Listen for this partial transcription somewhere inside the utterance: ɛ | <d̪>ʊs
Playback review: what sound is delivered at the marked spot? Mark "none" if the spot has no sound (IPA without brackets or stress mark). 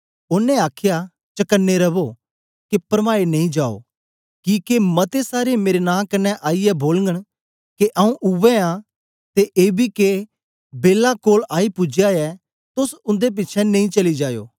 t̪